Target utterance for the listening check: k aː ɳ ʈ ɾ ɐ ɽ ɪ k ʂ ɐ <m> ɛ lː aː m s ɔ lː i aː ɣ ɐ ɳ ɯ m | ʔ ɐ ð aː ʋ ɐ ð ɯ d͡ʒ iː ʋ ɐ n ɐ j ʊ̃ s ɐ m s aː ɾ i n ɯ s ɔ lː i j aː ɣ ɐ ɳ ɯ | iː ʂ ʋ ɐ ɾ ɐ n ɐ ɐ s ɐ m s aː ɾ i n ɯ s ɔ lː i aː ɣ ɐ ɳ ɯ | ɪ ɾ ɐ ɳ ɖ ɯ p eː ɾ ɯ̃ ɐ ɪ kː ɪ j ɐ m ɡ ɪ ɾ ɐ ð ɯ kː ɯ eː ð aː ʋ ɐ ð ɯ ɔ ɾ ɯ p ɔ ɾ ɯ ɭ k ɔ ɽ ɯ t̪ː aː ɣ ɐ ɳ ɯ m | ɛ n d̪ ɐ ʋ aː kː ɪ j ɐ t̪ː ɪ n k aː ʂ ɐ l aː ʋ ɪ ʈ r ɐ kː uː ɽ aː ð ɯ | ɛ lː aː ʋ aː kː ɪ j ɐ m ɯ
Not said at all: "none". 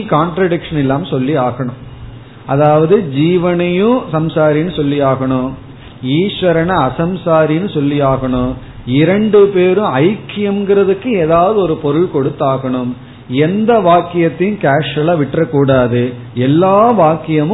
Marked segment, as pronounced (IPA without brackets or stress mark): n